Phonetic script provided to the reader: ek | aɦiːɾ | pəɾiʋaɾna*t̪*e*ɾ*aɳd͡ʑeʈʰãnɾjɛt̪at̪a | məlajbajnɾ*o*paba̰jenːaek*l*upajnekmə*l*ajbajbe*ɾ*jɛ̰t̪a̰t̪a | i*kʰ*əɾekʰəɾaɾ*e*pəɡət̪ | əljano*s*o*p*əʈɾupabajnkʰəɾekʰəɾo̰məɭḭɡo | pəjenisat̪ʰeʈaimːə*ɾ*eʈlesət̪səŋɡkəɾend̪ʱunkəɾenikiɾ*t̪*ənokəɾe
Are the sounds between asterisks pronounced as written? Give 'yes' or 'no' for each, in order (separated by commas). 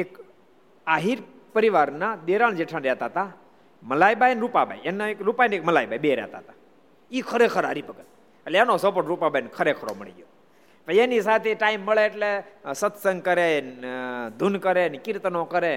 no, yes, no, no, yes, yes, yes, no, yes, yes, no, yes